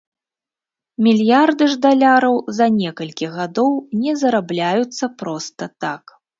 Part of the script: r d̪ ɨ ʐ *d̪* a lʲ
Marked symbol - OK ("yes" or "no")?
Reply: yes